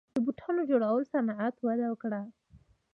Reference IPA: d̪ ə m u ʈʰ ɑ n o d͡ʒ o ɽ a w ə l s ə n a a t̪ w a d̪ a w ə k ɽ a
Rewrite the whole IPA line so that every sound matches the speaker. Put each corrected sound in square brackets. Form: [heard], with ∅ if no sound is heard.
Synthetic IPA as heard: d̪ ə [b] u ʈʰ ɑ n o d͡ʒ o ɽ a w ə l s [a] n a a t̪ w a d̪ a w ə k ɽ a